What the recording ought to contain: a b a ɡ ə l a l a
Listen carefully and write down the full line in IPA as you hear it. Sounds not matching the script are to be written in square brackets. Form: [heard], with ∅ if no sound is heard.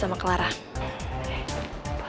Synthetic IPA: a [m] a [k] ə l a [ɾ] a

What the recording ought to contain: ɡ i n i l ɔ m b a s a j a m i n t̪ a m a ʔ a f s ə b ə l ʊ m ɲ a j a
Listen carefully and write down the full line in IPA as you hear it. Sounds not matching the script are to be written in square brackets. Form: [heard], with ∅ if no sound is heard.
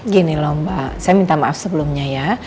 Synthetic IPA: ɡ i n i l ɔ m b a s a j a m i n t̪ a m a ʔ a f s ə b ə l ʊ m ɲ a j a

